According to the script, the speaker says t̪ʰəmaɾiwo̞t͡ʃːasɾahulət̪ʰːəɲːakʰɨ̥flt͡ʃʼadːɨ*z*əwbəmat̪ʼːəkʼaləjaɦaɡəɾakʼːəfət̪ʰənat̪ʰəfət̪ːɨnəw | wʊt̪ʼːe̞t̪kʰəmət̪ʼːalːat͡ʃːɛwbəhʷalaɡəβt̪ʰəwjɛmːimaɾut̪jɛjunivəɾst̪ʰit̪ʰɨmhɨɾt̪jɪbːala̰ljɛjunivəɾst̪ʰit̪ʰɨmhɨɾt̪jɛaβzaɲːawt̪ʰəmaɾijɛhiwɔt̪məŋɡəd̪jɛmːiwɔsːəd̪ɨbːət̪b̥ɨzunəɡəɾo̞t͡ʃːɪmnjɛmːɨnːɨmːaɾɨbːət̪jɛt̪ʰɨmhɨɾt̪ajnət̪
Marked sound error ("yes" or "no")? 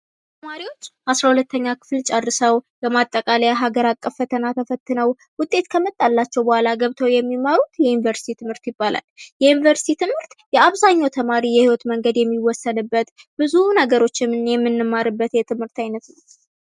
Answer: yes